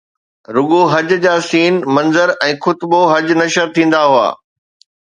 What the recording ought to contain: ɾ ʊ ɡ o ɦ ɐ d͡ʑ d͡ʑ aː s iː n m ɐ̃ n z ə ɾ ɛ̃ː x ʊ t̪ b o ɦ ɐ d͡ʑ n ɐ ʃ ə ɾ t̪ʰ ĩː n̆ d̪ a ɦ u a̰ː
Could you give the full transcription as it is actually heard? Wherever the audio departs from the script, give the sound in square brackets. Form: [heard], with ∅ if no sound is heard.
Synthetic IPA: ɾ ʊ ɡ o ɦ ɐ d͡ʑ d͡ʑ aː s iː n m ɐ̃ n z ə ɾ ɛ̃ː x ʊ t̪ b o ɦ ɐ d͡ʑ n ɐ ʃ ə ɾ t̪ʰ ĩː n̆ d̪ a ɦ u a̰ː